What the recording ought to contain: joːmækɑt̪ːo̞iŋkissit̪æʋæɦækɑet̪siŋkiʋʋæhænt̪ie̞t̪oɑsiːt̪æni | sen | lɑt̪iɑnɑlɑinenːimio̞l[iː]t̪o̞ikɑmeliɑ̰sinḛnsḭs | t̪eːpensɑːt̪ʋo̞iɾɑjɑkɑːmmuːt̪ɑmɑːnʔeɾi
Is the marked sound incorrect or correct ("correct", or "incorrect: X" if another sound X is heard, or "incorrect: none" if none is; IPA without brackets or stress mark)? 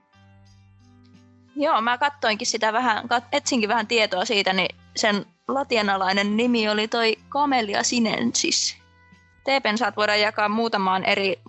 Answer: incorrect: i